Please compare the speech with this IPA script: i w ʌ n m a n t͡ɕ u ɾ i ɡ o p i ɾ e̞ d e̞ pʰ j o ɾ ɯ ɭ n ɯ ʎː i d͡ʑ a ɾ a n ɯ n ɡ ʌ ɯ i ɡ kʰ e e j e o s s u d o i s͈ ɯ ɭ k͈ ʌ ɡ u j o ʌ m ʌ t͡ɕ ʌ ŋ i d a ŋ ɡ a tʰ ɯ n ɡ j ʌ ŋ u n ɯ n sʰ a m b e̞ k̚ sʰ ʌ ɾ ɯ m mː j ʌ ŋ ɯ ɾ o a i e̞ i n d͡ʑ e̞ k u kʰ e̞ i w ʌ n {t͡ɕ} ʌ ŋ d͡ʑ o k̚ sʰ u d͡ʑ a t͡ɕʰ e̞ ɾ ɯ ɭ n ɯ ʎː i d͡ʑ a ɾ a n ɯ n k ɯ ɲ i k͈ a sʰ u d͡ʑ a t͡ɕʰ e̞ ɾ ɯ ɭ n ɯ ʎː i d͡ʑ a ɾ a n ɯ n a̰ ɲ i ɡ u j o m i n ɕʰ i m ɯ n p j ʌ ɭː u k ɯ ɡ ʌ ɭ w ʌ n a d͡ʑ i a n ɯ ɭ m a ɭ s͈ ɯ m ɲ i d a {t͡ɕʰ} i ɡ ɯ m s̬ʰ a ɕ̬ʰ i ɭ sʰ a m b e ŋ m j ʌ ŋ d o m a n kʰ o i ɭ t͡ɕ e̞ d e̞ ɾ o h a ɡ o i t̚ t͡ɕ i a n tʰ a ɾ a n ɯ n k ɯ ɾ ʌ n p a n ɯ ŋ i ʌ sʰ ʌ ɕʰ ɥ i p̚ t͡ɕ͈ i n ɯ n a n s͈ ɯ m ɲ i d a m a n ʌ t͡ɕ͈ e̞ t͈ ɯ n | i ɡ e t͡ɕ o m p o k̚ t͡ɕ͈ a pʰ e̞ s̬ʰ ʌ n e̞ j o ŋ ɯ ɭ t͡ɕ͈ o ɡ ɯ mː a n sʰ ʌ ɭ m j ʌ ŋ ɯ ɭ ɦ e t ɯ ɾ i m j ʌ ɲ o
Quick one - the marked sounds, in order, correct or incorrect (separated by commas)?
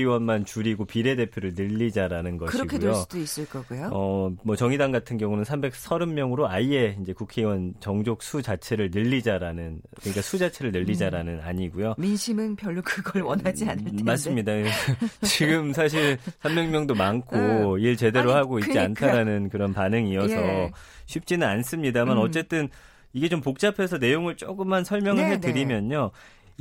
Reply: correct, incorrect